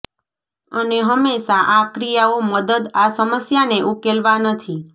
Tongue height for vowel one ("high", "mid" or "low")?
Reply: mid